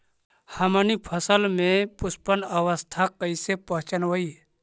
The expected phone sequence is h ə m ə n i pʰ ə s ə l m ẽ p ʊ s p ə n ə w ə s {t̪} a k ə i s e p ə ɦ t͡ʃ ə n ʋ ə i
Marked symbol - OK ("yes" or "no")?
no